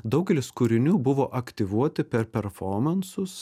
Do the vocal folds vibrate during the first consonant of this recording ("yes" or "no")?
yes